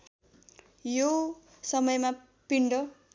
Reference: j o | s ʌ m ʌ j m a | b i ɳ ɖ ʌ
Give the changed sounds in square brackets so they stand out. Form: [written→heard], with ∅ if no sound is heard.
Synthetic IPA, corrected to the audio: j o | s ʌ m ʌ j m a | [b→p] i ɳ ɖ ʌ